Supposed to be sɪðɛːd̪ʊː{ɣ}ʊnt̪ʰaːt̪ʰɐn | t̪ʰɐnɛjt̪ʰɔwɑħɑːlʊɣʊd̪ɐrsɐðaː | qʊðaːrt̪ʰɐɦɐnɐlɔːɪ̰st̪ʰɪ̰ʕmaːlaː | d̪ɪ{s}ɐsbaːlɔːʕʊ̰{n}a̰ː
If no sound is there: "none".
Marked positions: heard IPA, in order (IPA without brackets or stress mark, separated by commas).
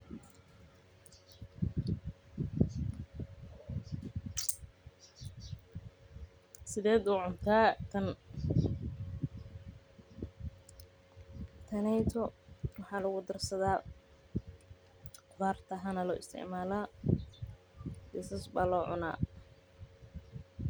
ʕ, s, n